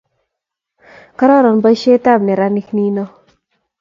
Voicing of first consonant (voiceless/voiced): voiceless